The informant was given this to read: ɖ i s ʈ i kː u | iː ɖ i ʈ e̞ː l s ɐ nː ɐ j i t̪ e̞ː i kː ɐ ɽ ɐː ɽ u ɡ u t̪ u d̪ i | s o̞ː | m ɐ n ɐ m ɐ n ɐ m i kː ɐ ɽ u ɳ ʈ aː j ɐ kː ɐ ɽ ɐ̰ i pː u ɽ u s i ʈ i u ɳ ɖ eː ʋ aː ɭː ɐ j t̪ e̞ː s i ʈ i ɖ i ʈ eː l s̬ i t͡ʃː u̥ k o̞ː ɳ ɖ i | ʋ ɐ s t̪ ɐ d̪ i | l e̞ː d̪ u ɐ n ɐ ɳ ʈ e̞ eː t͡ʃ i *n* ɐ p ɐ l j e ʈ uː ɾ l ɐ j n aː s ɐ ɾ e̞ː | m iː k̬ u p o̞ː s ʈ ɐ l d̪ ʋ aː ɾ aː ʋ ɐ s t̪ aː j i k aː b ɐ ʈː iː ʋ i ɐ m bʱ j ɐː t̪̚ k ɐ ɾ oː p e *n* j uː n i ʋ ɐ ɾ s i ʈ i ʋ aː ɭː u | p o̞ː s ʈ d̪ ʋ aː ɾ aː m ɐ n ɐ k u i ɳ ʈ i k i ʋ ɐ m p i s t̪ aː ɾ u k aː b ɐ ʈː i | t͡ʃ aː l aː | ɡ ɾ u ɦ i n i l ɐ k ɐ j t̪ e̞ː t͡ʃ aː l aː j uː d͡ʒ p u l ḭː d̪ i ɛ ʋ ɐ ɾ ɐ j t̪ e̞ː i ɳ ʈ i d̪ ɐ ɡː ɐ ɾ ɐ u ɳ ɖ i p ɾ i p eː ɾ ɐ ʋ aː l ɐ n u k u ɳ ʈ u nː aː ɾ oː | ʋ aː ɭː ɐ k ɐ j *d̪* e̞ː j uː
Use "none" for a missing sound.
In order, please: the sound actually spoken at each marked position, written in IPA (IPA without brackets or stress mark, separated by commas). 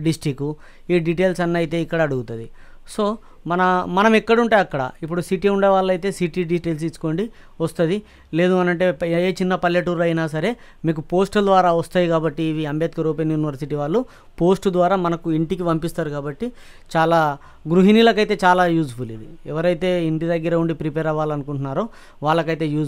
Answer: nː, n, t̪